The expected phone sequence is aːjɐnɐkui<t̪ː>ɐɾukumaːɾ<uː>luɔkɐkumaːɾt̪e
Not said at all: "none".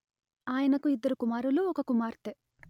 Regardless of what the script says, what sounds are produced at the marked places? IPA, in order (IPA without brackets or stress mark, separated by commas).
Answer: d̪ː, u